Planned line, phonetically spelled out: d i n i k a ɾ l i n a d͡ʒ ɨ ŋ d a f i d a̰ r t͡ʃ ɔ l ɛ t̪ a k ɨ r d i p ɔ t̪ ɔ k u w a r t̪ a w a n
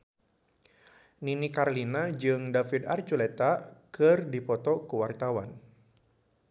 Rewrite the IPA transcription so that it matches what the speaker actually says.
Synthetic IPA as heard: n i n i k a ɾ l i n a d͡ʒ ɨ ŋ d a f i d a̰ r t͡ʃ u l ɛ t̪ a k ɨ r d i p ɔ t̪ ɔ k u w a r t̪ a w a n